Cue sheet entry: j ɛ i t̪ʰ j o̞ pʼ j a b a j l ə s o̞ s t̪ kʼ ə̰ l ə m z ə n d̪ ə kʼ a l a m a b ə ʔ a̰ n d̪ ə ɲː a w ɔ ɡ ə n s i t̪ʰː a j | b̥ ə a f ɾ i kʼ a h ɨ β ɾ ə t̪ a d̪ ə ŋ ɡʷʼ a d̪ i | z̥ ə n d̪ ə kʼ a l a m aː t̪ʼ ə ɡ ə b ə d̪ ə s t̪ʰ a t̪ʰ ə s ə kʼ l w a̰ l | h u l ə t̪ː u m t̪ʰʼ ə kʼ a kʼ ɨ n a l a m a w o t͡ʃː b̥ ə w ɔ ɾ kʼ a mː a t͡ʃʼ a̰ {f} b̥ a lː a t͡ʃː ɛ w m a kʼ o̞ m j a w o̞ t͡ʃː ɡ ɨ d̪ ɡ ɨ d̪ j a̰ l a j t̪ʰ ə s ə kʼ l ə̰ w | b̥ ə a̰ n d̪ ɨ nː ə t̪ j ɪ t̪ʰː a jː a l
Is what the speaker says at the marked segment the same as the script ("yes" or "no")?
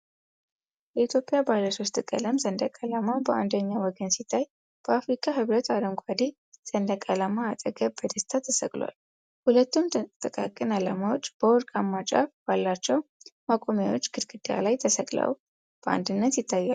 yes